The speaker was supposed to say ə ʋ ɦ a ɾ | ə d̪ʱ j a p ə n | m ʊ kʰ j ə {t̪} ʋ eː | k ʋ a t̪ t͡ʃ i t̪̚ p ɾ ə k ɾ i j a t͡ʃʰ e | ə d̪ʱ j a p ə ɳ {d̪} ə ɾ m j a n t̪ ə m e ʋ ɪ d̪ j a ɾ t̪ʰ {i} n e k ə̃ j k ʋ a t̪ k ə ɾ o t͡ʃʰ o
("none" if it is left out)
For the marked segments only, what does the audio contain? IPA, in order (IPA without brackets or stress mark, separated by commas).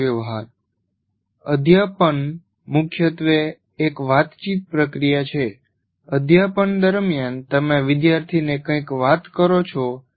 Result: t̪, d̪, i